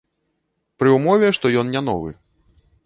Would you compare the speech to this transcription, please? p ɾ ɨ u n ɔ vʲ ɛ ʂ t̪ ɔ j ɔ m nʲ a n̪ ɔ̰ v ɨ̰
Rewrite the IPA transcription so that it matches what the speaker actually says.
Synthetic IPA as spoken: p ɾ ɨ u m ɔ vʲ ɛ ʂ t̪ ɔ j ɔ n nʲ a n̪ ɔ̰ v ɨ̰

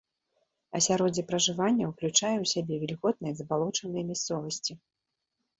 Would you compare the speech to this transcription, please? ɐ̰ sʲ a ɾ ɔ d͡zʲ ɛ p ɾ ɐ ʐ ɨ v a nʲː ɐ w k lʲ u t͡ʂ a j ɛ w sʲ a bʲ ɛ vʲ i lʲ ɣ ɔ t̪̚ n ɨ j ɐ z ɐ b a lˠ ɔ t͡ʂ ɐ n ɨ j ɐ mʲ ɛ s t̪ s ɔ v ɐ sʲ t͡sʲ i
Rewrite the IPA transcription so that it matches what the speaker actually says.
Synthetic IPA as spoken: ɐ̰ sʲ a ɾ ɔ d͡zʲ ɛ p ɾ ɐ ʐ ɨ v a nʲː ɐ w k lʲ u t͡ʂ a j ɛ w sʲ a bʲ ɛ vʲ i lʲ ɣ ɔ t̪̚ n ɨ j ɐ z ɐ b a lˠ ɔ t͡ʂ ɐ n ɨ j ɐ mʲ a s t̪ s ɔ v ɐ sʲ t͡sʲ i

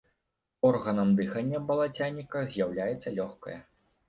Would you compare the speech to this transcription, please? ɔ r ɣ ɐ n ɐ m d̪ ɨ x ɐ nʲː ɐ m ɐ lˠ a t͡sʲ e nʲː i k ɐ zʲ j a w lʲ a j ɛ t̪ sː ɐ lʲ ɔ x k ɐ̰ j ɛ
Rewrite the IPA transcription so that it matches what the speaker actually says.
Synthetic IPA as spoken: ɔ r ɣ ɐ n ɐ m d̪ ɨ x ɐ nʲː ɐ b ɐ lˠ a t͡sʲ a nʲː i k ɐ zʲ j a w lʲ a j ɛ t̪ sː ɐ lʲ ɔ x k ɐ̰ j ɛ

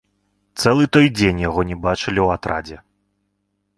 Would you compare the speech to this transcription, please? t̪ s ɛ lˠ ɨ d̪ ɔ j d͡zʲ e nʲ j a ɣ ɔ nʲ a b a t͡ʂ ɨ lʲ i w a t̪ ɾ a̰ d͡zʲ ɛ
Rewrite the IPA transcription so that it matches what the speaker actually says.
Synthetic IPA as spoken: t̪ s ɛ lˠ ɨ t̪ ɔ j d͡zʲ e nʲ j a ɣ ɔ nʲ ɛ b a t͡ʂ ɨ lʲ i w a t̪ ɾ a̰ d͡zʲ ɛ

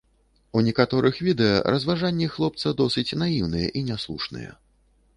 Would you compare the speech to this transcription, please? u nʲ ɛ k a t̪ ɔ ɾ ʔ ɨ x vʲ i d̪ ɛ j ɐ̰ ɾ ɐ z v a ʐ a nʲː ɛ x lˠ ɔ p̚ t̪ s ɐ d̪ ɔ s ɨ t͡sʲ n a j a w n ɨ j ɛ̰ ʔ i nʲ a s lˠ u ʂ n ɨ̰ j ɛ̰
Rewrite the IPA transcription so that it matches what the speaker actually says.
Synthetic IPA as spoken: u nʲ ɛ k a t̪ ɔ ɾ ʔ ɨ x vʲ i d̪ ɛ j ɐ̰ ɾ ɐ z v a ʐ a nʲː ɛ x lˠ ɔ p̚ t̪ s ɐ d̪ ɔ s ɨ t͡sʲ n a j i w n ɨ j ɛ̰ ʔ i nʲ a s lˠ u ʂ n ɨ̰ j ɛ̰

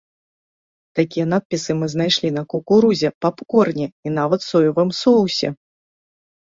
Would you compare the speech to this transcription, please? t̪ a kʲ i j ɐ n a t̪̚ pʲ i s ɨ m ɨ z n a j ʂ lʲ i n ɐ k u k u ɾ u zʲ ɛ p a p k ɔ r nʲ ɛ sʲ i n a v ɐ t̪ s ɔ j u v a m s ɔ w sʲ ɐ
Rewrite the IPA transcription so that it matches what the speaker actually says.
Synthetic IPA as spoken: t̪ a kʲ i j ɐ n a t̪̚ pʲ i s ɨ m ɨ z n a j ʂ lʲ i n ɐ k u k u ɾ u zʲ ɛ p a p k ɔ r nʲ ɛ i n a v ɐ t̪ s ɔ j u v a m s ɔ w sʲ ɐ

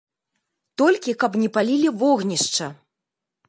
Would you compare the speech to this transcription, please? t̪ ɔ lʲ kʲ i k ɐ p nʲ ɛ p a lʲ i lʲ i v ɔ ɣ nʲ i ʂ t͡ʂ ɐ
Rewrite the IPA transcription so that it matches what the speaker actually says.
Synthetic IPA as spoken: t̪ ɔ lʲ kʲ i k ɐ p nʲ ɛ p a lʲ i lʲ i v ɔ ɣ nʲ i ʂ t͡ʂ ɐ

